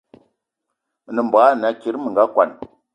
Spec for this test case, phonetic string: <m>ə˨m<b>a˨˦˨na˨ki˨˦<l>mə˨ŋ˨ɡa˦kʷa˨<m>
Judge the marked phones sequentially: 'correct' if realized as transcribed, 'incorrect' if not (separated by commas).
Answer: incorrect, correct, incorrect, incorrect